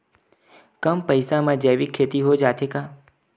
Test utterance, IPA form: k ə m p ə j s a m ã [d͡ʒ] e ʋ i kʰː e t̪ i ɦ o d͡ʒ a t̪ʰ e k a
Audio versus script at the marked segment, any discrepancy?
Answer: no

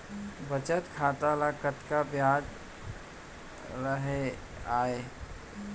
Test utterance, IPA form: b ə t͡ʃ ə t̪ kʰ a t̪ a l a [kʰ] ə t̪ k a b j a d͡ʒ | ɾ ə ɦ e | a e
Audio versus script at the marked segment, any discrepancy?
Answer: yes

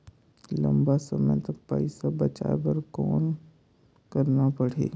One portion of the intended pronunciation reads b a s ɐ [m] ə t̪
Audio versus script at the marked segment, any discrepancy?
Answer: no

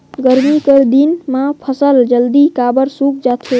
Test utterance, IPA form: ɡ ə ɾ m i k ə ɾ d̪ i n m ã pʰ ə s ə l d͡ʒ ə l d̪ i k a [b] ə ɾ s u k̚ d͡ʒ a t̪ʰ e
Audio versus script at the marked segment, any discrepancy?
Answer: no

